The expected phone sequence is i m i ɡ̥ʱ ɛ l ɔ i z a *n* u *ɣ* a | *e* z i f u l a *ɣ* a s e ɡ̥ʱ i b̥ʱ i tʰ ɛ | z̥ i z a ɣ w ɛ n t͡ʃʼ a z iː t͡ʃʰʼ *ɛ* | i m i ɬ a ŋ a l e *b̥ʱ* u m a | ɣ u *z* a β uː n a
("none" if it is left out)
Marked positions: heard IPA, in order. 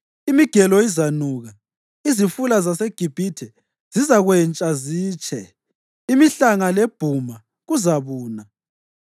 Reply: n, ɣ, i, z, ɛ, b̥ʱ, z

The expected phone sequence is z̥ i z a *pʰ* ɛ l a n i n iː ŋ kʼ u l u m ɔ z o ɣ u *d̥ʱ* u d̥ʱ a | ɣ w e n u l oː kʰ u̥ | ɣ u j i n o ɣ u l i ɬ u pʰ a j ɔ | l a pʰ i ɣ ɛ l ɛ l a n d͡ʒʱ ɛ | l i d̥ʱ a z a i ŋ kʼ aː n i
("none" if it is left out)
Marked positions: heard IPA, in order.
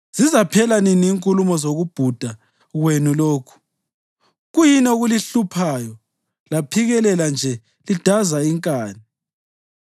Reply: pʰ, b̥ʱ

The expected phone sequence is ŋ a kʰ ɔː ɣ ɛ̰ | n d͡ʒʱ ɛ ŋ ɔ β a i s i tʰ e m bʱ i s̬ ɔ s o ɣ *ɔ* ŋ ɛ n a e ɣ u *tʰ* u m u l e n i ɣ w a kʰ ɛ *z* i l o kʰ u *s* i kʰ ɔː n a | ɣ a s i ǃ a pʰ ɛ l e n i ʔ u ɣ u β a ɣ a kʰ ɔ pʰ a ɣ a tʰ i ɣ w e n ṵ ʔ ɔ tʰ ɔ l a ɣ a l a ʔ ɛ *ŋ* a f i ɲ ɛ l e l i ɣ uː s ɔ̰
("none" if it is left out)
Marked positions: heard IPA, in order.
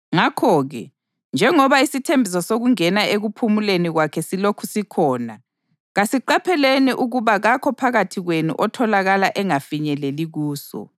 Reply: u, pʰ, s, s, ŋ

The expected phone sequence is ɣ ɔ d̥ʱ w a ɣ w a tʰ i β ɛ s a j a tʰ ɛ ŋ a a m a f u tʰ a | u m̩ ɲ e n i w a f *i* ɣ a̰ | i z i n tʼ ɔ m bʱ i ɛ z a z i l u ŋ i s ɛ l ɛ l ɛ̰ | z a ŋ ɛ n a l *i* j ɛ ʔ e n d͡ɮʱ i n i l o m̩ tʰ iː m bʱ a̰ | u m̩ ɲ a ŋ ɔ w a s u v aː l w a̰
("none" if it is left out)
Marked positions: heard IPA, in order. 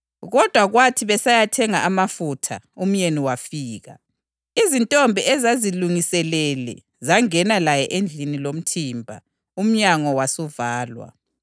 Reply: iː, a

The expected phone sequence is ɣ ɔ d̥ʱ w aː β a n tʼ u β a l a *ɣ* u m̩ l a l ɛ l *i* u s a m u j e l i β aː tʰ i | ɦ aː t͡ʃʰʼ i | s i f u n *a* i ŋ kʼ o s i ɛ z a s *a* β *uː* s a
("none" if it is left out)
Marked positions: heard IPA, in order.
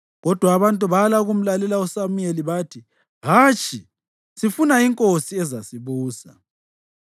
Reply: ɣ, a, a, i, uː

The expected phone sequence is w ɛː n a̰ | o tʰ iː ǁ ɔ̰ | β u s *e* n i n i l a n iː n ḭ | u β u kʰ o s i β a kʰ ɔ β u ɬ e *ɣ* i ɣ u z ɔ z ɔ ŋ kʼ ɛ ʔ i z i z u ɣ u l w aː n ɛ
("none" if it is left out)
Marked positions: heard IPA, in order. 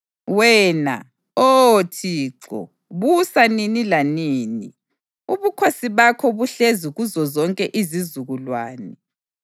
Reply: a, z

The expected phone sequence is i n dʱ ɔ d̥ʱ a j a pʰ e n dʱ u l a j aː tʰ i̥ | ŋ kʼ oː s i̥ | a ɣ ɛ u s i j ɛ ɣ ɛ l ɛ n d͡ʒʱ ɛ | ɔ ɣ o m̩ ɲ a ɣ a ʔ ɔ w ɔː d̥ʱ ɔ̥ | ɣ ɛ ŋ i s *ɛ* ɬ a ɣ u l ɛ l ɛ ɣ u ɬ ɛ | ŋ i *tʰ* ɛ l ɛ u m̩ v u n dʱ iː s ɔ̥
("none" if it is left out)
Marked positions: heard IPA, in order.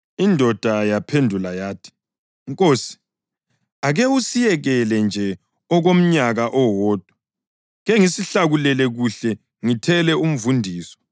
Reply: i, tʰ

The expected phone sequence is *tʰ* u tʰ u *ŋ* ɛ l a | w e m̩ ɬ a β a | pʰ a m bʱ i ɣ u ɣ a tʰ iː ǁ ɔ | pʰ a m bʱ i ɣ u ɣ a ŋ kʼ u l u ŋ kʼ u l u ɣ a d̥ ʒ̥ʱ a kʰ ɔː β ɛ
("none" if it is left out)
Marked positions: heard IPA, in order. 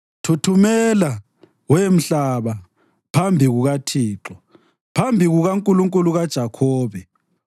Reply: tʰ, m

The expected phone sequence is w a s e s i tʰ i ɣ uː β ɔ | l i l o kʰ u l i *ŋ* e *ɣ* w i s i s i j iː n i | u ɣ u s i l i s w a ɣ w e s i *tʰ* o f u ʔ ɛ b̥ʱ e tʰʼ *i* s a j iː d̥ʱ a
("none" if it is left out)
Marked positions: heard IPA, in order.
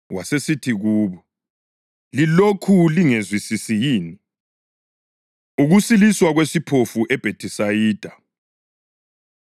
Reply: ŋ, z, pʰ, i

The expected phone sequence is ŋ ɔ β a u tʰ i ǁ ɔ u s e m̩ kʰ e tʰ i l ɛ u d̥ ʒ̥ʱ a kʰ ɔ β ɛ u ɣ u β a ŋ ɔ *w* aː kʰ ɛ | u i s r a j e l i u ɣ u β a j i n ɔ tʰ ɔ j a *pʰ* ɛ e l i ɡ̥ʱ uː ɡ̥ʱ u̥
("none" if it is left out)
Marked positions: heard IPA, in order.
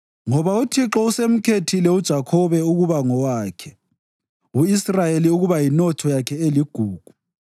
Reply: w, kʰ

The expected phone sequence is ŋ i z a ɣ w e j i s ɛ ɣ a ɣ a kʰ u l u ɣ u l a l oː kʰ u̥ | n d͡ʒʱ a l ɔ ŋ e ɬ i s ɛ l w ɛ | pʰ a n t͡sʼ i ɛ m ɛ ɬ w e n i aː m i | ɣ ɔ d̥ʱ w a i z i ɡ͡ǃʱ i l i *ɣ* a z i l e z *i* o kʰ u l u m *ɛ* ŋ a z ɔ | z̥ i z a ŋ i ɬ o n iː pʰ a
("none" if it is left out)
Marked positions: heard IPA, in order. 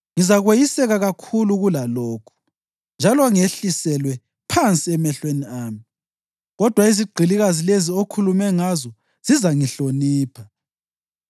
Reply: ɣ, i, ɛ

